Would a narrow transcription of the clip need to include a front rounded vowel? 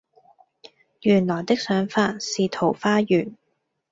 yes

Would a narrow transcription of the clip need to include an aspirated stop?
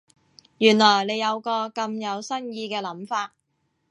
no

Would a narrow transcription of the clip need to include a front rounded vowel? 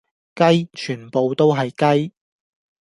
yes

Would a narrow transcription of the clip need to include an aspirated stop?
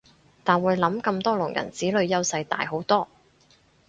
no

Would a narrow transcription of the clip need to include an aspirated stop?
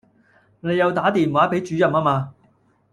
no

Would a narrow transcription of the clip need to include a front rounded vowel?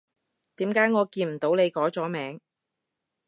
no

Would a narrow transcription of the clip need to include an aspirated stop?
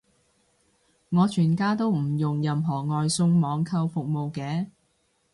yes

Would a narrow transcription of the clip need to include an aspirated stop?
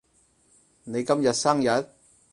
no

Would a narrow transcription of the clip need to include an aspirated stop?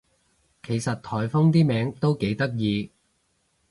yes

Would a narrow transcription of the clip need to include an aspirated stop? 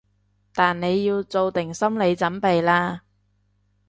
no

